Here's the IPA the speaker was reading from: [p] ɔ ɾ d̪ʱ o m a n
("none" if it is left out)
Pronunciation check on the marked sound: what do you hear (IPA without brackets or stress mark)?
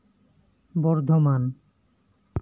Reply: b